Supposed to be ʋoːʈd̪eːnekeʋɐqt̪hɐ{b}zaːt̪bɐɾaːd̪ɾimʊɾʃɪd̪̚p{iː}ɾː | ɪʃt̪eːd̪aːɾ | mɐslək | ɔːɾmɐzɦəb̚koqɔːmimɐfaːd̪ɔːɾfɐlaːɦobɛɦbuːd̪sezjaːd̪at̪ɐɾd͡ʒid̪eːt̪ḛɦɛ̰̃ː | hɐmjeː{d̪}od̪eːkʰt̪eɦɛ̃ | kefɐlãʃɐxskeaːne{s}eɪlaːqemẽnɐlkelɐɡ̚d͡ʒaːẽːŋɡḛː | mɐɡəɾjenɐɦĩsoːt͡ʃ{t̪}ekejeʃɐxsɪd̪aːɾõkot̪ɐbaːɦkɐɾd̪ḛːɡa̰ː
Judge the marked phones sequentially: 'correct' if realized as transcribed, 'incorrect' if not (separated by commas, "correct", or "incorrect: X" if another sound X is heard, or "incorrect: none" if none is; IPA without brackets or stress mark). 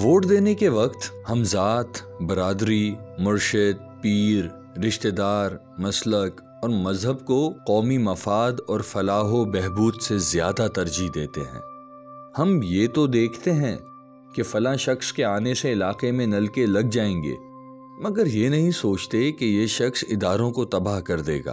incorrect: m, correct, incorrect: t̪, correct, correct